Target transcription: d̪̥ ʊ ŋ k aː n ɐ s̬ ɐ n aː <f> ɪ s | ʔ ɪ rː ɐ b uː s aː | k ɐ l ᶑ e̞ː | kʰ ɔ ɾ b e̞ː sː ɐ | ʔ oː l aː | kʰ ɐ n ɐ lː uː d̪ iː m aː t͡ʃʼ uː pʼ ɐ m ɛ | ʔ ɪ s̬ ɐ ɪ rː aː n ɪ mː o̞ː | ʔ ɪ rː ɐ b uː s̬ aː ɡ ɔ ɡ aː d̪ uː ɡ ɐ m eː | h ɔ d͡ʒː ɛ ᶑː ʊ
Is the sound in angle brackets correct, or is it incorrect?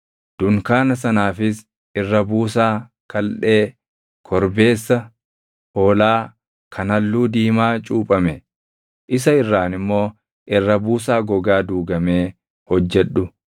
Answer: correct